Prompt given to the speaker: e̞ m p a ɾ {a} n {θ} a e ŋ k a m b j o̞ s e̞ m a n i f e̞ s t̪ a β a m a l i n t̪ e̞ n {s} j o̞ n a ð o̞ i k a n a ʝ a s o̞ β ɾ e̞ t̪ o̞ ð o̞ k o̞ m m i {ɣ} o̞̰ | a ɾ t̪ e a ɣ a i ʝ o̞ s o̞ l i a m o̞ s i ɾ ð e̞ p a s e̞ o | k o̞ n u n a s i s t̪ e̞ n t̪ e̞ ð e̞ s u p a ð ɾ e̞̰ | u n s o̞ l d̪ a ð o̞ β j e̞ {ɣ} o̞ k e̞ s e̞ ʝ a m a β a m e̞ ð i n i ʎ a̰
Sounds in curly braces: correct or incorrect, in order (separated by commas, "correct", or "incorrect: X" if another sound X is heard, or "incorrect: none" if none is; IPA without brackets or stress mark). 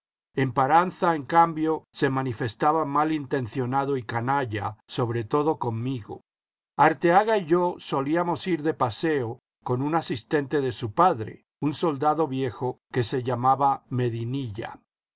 correct, correct, incorrect: θ, correct, incorrect: x